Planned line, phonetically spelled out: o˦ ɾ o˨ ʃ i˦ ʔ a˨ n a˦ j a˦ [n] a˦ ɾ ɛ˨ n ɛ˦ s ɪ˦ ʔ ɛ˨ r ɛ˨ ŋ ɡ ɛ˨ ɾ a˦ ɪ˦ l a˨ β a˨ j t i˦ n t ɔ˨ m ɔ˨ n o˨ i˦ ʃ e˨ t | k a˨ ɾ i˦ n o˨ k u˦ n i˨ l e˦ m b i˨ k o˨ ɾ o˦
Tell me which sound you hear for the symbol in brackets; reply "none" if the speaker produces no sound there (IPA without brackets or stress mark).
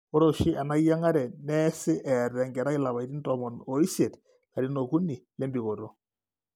ŋ